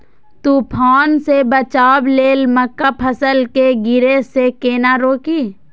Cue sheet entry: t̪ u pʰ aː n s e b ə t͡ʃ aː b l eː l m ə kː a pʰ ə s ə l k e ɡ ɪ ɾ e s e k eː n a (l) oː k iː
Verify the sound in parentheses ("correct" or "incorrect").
incorrect